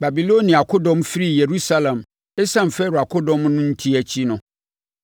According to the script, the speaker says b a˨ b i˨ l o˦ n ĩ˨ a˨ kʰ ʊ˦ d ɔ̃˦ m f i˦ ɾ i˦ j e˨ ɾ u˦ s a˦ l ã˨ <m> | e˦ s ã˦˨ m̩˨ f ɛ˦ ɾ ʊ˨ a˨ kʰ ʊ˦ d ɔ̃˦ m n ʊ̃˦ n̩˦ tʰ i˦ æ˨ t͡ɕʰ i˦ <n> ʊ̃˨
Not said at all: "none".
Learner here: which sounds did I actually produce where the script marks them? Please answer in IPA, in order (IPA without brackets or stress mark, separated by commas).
m, n